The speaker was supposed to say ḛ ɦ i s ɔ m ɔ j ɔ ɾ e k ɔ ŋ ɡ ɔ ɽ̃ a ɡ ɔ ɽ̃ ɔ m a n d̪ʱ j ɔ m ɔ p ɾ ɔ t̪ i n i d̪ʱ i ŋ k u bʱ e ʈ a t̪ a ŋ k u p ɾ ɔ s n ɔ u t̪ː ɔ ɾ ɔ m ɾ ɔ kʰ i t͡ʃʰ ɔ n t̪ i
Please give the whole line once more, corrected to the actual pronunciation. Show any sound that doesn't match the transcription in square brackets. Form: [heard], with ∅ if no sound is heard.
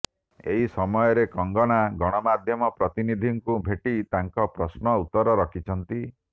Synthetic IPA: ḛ ɦ i s ɔ m ɔ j ɔ ɾ e k ɔ ŋ ɡ ɔ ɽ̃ a ɡ ɔ ɽ̃ ɔ m a [∅] d̪ʱ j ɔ m ɔ p ɾ ɔ t̪ i n i d̪ʱ i ŋ k u bʱ e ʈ [i] t̪ a ŋ k [ɔ] p ɾ ɔ s n ɔ u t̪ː ɔ ɾ ɔ [∅] ɾ ɔ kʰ i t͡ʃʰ ɔ n t̪ i